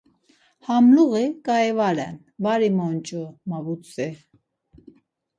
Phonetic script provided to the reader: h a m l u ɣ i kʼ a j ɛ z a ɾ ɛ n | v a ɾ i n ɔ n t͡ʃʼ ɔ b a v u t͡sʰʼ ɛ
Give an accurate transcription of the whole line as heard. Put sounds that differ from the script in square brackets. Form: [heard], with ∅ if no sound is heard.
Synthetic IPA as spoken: h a m l u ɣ i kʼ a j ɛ [v] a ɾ ɛ n | v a ɾ i [m] ɔ n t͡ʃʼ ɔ [m] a v u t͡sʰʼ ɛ